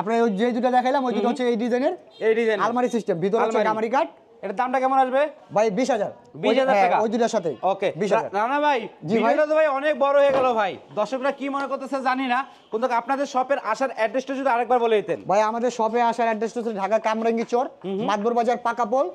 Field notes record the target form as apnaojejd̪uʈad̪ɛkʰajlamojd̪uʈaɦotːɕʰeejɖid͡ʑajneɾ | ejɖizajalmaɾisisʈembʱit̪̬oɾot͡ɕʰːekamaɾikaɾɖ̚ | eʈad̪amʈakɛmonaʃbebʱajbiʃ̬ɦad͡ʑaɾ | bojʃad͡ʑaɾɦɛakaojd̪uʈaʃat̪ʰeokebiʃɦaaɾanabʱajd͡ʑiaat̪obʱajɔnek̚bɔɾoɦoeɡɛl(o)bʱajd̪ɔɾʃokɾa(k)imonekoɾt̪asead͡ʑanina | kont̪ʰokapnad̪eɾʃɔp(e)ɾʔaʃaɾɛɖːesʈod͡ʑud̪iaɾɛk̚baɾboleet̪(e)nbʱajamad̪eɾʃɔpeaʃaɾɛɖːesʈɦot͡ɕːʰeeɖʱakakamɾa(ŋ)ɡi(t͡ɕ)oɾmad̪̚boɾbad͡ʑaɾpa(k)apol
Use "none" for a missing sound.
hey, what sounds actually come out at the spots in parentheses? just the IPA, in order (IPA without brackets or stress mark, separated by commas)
o, k, e, e, ŋ, t͡ɕ, k